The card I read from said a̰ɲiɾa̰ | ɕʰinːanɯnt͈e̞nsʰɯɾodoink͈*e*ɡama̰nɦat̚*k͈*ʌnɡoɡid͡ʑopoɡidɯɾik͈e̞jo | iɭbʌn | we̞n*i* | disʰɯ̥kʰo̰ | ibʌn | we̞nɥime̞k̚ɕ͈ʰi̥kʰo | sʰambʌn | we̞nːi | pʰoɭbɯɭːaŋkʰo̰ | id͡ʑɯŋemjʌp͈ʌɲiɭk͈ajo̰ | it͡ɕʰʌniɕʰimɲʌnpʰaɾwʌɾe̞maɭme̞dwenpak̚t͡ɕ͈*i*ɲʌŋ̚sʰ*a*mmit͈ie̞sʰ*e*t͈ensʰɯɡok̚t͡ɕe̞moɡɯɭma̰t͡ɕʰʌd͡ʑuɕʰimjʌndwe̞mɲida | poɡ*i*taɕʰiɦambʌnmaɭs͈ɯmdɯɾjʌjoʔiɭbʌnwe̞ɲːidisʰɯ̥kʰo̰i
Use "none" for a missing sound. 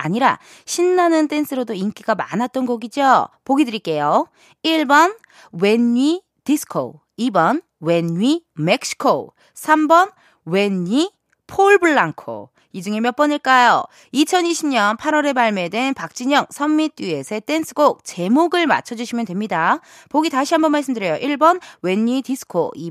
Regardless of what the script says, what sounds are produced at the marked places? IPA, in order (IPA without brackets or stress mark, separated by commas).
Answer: i, t͈, i, i, ʌ, e, i